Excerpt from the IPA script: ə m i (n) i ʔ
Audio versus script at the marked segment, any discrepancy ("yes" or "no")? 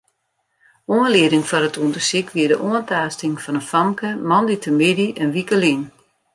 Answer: yes